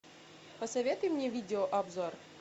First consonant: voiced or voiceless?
voiceless